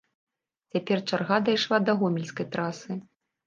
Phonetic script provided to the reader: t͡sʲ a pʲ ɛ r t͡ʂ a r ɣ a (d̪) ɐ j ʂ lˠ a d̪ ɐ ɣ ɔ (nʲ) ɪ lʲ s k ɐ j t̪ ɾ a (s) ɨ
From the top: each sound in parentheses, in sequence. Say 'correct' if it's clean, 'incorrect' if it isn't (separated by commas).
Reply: correct, incorrect, correct